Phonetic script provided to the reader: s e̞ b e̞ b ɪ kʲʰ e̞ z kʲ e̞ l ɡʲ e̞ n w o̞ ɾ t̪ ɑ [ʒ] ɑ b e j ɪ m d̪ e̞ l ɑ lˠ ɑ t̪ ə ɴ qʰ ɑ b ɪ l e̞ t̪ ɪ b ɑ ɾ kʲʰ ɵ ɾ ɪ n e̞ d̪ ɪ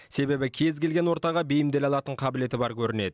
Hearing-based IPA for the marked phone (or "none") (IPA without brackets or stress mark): ʁ